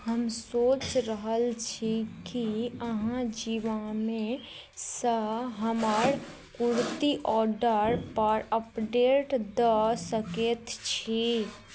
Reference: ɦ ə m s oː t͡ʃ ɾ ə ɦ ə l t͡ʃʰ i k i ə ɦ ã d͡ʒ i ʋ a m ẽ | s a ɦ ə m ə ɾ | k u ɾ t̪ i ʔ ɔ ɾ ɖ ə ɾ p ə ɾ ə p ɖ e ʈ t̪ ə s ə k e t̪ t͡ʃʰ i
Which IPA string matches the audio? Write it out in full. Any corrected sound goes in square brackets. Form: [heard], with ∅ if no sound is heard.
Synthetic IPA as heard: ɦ ə m s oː t͡ʃ ɾ ə ɦ ə l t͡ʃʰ i k i ə ɦ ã d͡ʒ i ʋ a m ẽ | s [ə] ɦ ə m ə ɾ | k u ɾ t̪ i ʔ ɔ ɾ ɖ ə ɾ p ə ɾ ə p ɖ e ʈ [d̪] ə s ə k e t̪ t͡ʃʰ i